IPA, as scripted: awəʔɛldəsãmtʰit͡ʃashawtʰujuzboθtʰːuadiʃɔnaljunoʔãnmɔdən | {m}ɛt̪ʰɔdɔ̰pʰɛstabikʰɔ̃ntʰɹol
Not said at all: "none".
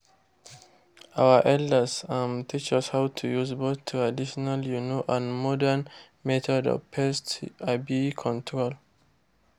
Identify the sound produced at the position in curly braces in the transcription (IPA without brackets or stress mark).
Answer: m